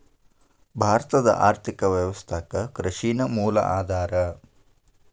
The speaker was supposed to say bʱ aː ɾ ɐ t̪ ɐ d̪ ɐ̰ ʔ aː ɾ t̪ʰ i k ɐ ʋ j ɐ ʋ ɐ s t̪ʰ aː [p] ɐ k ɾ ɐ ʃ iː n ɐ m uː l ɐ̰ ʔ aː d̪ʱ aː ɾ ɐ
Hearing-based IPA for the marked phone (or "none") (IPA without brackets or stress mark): k